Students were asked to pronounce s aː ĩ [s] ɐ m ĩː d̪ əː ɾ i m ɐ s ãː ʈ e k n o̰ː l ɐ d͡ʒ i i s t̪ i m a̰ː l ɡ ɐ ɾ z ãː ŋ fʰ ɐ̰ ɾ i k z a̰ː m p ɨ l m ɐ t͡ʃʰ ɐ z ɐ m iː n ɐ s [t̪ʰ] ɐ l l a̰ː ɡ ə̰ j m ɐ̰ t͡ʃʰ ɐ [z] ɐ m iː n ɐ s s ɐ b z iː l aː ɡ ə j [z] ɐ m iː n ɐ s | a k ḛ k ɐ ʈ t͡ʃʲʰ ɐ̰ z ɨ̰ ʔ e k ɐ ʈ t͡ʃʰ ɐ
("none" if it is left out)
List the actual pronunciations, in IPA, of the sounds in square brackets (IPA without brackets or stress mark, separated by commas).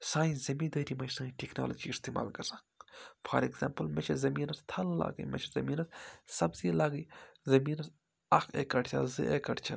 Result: z, t̪ʰ, z, z